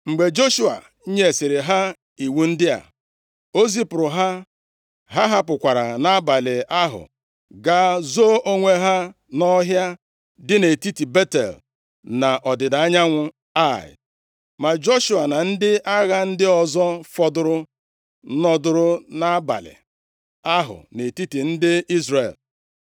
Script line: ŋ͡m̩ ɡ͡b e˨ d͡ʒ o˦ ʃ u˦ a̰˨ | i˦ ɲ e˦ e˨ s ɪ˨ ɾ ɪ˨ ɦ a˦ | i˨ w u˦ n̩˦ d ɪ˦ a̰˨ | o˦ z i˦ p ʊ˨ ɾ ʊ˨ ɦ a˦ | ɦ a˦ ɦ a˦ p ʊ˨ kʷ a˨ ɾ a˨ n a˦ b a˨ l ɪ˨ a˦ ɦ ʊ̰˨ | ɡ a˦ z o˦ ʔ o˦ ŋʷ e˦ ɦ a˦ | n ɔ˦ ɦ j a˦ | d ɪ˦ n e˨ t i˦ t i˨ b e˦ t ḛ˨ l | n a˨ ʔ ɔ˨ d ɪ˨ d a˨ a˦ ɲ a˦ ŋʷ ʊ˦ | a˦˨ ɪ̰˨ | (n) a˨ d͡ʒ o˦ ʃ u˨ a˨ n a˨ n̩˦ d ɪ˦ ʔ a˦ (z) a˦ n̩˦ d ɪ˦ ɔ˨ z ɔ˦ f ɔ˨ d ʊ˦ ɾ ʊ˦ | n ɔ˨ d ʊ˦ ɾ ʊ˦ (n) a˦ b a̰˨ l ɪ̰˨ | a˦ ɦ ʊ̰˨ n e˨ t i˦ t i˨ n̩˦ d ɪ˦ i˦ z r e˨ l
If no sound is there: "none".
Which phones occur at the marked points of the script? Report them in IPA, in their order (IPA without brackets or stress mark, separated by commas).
m, ɣ, n